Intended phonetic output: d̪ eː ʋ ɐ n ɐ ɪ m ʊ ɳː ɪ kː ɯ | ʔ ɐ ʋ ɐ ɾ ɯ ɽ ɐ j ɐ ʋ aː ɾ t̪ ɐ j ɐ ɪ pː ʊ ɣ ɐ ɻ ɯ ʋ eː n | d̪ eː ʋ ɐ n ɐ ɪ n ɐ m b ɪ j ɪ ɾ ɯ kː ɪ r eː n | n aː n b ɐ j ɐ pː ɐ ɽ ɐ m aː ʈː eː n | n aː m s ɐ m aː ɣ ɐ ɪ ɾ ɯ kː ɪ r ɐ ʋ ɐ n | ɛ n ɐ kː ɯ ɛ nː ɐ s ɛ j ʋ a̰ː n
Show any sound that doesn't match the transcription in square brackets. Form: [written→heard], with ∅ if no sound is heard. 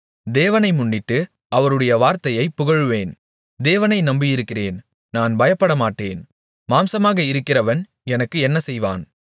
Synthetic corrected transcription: d̪ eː ʋ ɐ n ɐ ɪ m ʊ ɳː ɪ [kː→ʈː] ɯ | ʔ ɐ ʋ ɐ ɾ ɯ ɽ ɐ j ɐ ʋ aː ɾ t̪ ɐ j ɐ ɪ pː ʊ ɣ ɐ ɻ ɯ ʋ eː n | d̪ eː ʋ ɐ n ɐ ɪ n ɐ m b ɪ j ɪ ɾ ɯ kː ɪ r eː n | n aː n b ɐ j ɐ pː ɐ ɽ ɐ m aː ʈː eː n | [n→m] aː m s ɐ m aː ɣ ɐ ɪ ɾ ɯ kː ɪ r ɐ ʋ ɐ n | ɛ n ɐ kː ɯ ɛ nː ɐ s ɛ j ʋ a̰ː n